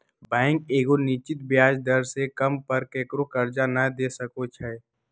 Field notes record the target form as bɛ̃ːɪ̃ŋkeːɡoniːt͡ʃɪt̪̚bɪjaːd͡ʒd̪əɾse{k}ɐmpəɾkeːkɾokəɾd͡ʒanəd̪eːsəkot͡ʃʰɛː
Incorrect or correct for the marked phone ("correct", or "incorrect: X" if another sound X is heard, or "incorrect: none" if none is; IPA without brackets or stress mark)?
correct